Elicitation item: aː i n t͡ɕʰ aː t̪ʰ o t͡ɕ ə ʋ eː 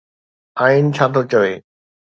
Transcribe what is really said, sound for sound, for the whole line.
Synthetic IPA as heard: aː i n t͡ɕʰ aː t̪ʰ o t͡ɕ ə ʋ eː

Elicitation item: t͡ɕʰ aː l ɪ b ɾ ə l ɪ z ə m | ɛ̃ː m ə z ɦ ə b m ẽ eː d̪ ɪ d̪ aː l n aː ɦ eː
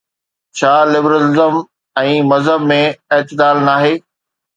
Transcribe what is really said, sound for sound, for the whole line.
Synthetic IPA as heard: t͡ɕʰ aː l ɪ b ɾ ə l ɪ z ə m | ɛ̃ː m ɐ z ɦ ə b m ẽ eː t̪ ɪ d̪ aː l n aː ɦ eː

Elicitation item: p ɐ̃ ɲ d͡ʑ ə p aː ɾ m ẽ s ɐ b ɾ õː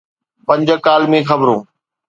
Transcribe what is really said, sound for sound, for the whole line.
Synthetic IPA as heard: p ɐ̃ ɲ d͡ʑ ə k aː l m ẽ x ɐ b ɾ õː

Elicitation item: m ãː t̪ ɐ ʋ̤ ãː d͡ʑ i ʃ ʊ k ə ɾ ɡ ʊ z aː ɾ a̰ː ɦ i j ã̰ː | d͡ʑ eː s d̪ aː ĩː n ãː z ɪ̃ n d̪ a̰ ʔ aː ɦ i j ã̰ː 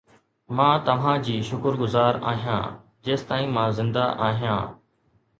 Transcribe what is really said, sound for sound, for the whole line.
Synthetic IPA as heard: m ãː t̪ ɐ ʋ̤ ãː d͡ʑ iː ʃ ʊ k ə ɾ ɡ ʊ z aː ɾ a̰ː ɦ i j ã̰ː | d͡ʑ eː s t̪ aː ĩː m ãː z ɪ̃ n d̪ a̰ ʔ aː ɦ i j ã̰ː

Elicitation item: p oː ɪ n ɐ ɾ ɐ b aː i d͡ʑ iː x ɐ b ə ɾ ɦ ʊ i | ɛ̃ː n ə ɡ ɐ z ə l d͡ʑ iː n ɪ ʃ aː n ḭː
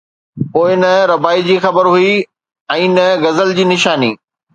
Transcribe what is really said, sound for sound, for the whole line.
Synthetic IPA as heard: p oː ɪ n ɐ ɾ ɐ b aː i d͡ʑ iː x ɐ b ə ɾ ɦ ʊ i | ɛ̃ː n ɐ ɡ ɐ z ə l d͡ʑ iː n ɪ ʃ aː n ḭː

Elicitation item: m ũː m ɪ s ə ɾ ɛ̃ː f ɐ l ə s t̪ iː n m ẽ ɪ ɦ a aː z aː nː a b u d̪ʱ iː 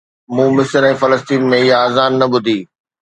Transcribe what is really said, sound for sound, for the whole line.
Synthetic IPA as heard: m ũː m ɪ s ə ɾ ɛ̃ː f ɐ l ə s t̪ iː n m ẽ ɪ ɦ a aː z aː nː ɐ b ʊ d̪ʱ iː

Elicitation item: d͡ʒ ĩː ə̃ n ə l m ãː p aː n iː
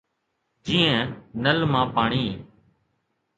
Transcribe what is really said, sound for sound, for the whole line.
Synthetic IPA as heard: d͡ʒ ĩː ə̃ n ə l m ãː p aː ɳ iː

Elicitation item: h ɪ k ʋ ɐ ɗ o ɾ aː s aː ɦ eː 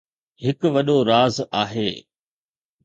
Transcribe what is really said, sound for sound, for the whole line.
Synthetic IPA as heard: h ɪ k ʋ ɐ ɗ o ɾ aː z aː ɦ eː

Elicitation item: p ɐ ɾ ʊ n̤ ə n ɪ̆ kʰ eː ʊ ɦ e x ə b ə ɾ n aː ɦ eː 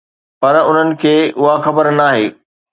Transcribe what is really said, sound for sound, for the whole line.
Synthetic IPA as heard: p ɐ ɾ ʊ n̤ ə n ɪ̆ kʰ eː ʊ ɦ a x ɐ b ə ɾ n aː ɦ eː

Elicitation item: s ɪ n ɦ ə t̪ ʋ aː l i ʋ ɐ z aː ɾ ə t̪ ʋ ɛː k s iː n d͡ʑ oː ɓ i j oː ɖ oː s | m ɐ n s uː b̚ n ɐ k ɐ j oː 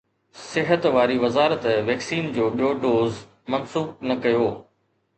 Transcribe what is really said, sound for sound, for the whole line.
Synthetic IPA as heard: s ɪ ɦ ə t̪ ʋ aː ɾ i ʋ ɐ z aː ɾ ə t̪ ʋ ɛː k s iː n d͡ʑ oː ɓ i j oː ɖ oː z | m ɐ n s uː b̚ n ɐ k ɐ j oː

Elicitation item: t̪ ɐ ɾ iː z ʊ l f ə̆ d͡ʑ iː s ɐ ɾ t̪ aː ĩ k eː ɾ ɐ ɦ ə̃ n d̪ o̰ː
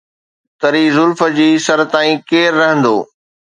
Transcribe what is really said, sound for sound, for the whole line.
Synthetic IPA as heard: t̪ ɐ ɾ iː z ʊ l f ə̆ d͡ʑ iː s ɐ ɾ t̪ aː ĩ k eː ɾː ɐ ɦ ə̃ n d̪ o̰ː

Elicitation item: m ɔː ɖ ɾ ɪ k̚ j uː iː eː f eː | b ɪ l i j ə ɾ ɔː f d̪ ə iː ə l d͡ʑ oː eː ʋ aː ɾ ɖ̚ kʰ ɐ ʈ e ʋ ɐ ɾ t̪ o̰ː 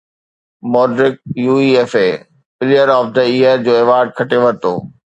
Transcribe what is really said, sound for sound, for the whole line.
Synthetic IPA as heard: m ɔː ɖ ɾ ɪ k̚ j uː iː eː f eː | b ɪ l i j ə ɾ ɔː f d̪ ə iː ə ɾ d͡ʑ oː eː ʋ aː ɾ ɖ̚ kʰ ɐ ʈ e ʋ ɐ ɾ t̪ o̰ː

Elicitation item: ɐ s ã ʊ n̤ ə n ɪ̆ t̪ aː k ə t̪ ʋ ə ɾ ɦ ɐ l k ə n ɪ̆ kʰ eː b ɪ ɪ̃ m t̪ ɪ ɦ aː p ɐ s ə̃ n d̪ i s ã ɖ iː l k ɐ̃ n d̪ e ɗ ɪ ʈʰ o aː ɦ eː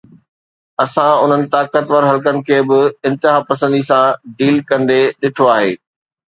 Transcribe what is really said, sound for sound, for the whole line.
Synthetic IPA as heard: ɐ s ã ʊ n̤ ə n ɪ̆ t̪ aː k ə t̪ ʋ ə ɾ ɦ ɐ l k ə n ɪ̆ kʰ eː b ɪ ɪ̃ n t̪ ɪ ɦ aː p ɐ s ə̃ n d̪ i s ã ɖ iː l k ɐ̃ n d̪ e ɗ ɪ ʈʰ o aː ɦ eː

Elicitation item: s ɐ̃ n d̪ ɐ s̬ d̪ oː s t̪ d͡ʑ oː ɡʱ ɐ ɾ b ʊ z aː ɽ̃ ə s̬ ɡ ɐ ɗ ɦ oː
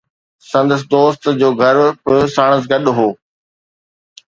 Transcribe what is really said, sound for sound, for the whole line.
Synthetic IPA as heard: s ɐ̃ n d̪ ə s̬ d̪ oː s t̪ d͡ʑ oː ɡʱ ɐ ɾ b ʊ s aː ɽ̃ ə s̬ ɡ ɐ ɗ ɦ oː

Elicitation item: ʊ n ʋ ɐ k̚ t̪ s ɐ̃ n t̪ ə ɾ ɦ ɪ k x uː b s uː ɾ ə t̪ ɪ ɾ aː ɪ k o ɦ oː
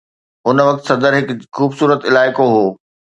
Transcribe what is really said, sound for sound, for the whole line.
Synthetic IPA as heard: ʊ n ʋ ɐ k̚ t̪ s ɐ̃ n d̪ ə ɾ ɦ ɪ k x uː b s uː ɾ ə t̪ ɪ l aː ɪ k o ɦ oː

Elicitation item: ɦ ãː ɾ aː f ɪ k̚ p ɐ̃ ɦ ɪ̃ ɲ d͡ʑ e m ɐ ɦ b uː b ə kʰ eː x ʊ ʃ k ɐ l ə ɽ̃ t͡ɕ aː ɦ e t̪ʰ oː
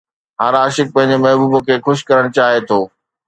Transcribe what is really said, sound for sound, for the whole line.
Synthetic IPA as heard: ɦ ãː ɾ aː ʃ ɪ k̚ p ɐ̃ ɦ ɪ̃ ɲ d͡ʑ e m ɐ ɦ b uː b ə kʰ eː x ʊ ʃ k ɐ ɾ ə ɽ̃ t͡ɕ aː ɦ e t̪ʰ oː

